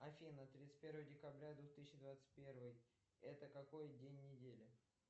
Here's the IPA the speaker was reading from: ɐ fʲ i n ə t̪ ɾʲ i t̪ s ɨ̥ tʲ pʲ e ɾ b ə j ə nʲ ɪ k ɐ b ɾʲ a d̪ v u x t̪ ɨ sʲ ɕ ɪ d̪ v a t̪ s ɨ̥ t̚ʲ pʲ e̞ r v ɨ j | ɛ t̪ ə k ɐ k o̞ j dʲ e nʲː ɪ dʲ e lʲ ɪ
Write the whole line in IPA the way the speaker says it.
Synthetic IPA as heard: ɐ fʲ i n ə t̪ ɾʲ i t̪ s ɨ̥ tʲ pʲ e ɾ v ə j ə dʲ ɪ k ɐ b ɾʲ a d̪ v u x t̪ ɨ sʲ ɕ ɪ d̪ v a t̪ s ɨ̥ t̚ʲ pʲ e̞ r v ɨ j | ɛ t̪ ə k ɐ k o̞ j dʲ e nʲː ɪ dʲ e lʲ ɪ